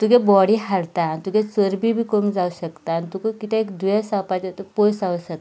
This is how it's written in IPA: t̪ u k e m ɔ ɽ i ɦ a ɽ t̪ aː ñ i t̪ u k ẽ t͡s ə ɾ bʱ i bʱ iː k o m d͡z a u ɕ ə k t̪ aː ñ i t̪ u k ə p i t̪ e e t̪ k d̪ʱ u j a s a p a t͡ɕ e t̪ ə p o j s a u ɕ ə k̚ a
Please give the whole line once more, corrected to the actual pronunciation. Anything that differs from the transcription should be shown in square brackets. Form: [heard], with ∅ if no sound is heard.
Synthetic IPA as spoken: t̪ u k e [b] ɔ ɽ i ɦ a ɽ t̪ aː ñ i t̪ u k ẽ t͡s ə ɾ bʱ i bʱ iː k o m d͡z a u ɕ ə k t̪ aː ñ i t̪ u k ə [k] i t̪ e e [∅] k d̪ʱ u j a s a p a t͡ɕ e t̪ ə p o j s a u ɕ ə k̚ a